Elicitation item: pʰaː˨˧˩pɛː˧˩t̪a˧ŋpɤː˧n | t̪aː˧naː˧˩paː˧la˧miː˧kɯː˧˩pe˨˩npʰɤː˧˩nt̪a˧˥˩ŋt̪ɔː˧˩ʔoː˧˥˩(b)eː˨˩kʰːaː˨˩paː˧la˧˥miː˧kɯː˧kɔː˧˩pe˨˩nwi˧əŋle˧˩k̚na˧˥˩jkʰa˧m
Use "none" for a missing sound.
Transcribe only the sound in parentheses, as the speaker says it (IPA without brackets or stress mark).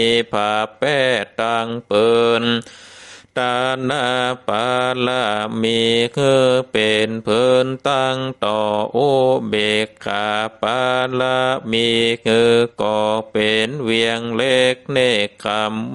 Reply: b